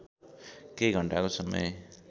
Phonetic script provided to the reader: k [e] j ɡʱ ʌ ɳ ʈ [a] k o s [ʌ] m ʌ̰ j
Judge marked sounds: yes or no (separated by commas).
yes, yes, yes